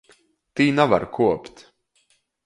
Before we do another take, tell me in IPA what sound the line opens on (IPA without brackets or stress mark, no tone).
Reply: t̪